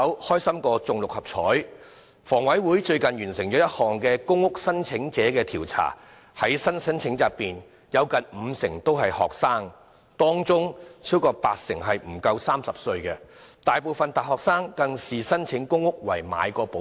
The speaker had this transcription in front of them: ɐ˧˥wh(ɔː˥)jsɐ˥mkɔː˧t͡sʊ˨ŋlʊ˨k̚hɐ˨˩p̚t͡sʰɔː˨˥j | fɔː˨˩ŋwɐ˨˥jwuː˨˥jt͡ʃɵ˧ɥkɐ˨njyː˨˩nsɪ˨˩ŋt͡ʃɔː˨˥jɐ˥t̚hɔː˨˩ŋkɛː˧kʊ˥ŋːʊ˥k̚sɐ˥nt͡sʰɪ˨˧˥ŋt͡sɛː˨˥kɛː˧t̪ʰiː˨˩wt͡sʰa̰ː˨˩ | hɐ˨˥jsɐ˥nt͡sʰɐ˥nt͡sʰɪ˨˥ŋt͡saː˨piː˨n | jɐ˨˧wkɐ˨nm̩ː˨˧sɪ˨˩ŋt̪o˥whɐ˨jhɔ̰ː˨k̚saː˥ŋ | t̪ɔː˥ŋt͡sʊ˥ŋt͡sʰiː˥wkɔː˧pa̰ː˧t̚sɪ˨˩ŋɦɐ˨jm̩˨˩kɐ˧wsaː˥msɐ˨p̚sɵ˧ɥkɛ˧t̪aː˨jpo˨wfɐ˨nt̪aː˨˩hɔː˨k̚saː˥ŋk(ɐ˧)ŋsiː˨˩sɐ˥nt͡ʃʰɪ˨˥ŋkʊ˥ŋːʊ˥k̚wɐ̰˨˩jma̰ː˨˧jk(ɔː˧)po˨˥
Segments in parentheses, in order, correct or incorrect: correct, correct, correct

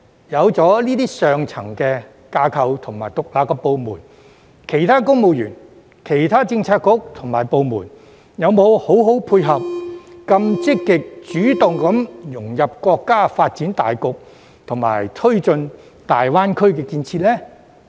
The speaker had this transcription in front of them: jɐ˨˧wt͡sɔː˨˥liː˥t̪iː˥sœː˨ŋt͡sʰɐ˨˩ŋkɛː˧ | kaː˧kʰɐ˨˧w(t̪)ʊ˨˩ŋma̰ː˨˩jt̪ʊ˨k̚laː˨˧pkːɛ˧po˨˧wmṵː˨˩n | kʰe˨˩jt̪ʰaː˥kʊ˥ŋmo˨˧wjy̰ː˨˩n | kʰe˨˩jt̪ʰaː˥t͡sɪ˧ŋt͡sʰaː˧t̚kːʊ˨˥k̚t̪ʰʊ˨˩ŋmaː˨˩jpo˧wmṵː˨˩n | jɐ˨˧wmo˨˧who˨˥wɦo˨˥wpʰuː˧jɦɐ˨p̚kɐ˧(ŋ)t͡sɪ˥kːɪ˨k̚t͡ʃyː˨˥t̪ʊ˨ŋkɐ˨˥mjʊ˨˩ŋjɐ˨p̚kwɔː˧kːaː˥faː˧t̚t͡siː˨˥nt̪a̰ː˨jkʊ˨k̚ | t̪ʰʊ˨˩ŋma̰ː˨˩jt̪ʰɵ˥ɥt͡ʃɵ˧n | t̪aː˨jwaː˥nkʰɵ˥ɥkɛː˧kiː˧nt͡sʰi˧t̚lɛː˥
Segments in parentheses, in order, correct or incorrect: incorrect: t̪ʰ, incorrect: m

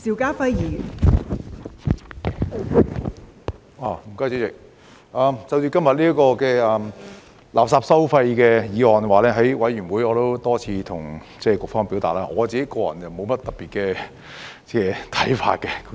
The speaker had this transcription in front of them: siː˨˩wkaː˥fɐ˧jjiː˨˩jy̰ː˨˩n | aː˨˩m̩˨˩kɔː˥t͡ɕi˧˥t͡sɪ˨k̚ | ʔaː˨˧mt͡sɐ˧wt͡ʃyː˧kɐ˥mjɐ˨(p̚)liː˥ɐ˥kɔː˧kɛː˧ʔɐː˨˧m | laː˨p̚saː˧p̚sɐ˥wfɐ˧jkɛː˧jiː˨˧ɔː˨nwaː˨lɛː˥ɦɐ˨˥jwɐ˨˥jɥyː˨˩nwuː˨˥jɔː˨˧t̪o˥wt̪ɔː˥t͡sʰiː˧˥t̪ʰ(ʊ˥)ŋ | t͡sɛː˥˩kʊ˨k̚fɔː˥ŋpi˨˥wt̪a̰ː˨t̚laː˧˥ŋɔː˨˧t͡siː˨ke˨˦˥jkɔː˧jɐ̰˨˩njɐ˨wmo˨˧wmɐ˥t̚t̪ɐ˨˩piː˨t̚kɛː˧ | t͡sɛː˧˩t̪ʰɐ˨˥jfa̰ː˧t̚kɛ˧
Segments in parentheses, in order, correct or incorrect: incorrect: t̚, incorrect: ʊ˨˩

